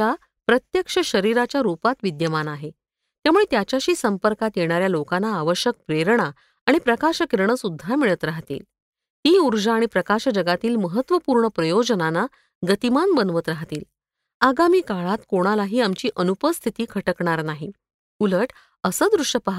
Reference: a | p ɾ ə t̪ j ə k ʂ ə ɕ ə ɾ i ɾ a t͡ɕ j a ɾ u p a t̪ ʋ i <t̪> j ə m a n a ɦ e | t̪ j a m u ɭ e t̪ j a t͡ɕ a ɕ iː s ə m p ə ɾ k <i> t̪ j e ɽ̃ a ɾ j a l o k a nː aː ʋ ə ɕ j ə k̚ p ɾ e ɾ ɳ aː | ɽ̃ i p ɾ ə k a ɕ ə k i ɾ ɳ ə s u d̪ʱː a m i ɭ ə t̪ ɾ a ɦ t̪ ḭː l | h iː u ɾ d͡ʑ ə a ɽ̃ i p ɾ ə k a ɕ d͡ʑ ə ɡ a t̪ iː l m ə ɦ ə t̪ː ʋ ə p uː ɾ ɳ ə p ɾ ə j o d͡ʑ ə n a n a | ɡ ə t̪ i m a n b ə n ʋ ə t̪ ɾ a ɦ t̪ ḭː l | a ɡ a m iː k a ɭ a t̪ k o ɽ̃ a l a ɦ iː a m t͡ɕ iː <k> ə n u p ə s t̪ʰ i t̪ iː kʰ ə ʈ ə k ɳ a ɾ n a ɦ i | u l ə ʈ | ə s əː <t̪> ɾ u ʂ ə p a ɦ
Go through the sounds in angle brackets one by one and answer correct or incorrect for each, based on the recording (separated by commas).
incorrect, incorrect, incorrect, incorrect